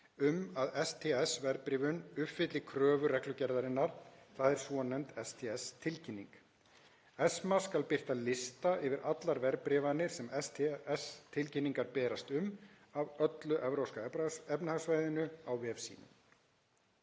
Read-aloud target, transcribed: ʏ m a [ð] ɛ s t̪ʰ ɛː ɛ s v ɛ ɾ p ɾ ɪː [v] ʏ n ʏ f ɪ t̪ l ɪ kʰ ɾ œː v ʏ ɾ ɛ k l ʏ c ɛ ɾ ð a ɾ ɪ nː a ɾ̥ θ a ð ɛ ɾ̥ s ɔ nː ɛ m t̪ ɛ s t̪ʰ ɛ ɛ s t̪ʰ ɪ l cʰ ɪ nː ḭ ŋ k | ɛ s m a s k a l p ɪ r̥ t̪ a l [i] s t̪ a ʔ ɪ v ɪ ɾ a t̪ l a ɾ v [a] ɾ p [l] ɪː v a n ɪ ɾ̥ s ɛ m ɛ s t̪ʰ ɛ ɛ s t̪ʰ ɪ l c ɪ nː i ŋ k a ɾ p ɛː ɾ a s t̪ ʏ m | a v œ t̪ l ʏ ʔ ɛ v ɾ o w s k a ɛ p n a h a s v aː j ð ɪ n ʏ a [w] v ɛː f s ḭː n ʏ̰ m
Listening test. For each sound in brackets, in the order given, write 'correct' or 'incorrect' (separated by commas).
correct, correct, incorrect, incorrect, incorrect, correct